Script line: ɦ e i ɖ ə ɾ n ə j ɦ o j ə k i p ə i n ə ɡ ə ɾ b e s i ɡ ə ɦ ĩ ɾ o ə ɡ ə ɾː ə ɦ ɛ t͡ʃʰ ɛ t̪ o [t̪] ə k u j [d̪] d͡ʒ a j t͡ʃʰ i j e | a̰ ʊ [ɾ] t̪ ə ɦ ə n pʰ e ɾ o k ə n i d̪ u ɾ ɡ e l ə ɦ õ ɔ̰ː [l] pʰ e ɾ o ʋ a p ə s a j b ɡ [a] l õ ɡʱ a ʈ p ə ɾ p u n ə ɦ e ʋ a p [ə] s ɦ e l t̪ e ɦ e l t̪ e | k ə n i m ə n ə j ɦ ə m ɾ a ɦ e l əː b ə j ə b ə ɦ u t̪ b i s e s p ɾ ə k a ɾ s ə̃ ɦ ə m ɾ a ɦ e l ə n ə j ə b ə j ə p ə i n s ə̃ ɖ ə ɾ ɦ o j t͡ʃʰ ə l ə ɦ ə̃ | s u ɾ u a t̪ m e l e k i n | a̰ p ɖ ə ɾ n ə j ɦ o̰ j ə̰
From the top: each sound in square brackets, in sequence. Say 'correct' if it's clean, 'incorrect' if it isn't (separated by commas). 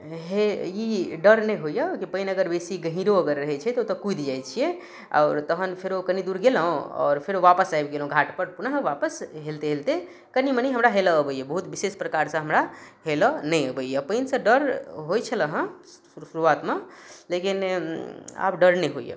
correct, correct, correct, incorrect, incorrect, correct